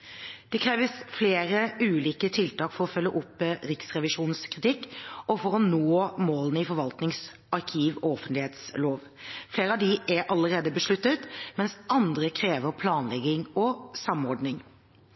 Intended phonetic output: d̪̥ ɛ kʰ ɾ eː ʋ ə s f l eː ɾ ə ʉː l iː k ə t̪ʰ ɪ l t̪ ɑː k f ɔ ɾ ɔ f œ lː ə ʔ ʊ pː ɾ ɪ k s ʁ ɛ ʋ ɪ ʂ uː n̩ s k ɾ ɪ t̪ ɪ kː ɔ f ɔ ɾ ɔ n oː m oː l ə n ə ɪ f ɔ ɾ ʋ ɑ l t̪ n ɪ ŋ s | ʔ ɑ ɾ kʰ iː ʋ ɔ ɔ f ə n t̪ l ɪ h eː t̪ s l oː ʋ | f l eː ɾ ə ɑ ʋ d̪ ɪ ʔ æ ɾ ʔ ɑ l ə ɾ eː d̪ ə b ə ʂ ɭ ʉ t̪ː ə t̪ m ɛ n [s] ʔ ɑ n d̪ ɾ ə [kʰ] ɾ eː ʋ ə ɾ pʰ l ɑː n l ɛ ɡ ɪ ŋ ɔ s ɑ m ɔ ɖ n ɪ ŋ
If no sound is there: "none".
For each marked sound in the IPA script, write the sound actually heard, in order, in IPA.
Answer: s, kʰ

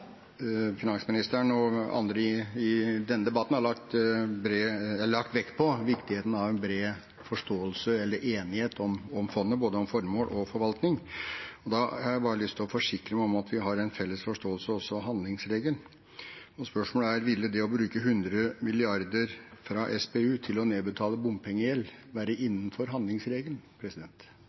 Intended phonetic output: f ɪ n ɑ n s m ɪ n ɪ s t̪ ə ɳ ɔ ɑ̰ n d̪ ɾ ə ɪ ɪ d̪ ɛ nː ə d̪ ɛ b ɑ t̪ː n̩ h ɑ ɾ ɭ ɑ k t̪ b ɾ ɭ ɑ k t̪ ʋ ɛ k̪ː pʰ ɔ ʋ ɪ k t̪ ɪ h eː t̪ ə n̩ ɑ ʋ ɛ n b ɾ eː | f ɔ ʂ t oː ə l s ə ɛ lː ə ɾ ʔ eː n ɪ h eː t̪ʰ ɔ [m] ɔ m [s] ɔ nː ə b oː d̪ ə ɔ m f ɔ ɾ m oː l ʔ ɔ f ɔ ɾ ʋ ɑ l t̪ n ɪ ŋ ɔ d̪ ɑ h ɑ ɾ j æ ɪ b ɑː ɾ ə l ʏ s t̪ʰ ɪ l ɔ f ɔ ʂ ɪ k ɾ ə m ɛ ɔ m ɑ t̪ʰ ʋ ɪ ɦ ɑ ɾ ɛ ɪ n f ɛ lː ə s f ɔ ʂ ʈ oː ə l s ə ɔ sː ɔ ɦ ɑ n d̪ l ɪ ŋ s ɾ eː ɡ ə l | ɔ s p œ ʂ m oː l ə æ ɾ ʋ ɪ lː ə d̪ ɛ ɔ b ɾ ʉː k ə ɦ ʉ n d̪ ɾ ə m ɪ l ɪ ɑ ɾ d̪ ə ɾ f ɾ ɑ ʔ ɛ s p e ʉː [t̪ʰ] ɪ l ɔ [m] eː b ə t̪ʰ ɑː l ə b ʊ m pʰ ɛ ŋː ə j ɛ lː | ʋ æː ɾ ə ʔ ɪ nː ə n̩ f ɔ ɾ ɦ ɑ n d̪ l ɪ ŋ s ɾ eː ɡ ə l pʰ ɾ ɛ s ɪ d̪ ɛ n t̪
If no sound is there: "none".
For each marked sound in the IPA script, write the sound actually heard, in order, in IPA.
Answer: m, f, t̪ʰ, n

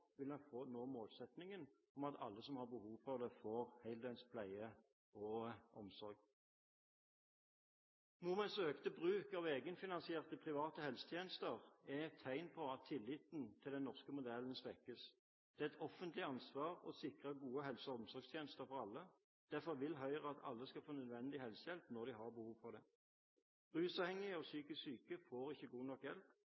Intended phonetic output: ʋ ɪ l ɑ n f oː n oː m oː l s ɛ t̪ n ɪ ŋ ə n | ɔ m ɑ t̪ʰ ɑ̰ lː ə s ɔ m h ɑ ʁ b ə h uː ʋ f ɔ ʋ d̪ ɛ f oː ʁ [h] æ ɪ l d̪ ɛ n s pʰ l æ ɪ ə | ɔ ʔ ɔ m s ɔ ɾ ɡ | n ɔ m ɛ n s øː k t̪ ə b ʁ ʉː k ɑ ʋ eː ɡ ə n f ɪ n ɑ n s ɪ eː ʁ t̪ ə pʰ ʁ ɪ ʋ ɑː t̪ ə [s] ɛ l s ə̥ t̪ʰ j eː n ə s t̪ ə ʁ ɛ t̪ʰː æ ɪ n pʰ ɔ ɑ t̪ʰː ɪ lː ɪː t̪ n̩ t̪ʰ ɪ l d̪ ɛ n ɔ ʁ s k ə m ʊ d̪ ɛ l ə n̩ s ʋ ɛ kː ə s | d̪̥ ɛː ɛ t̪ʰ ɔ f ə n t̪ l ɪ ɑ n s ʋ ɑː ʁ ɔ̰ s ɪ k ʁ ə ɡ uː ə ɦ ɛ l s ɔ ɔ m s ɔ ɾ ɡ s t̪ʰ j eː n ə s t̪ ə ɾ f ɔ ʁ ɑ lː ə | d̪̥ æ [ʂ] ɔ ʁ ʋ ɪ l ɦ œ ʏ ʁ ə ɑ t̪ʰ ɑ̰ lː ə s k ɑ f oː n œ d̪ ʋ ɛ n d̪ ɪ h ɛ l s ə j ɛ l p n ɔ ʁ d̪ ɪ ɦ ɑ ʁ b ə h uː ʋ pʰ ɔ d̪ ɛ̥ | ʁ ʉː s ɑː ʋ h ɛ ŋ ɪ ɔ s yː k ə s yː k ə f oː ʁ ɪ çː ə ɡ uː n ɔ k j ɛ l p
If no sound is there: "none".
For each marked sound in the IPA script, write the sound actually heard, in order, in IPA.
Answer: h, h, f

